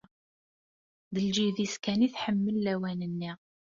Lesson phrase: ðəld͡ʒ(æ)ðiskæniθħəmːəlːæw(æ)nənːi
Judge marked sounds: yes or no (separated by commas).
no, yes